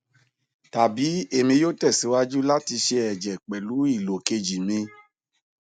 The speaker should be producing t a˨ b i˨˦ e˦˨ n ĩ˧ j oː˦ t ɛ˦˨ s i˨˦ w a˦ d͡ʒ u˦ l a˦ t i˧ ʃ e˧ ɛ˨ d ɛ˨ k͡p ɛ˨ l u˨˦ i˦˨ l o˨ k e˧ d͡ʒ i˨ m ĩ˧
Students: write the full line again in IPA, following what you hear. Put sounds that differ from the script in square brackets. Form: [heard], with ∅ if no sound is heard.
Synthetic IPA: t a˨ b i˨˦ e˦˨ [m] ĩ˧ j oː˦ t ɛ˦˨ s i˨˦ w a˦ d͡ʒ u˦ l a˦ t i˧ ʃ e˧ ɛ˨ [d͡ʒ] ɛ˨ k͡p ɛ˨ l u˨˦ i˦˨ l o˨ k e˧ d͡ʒ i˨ m ĩ˧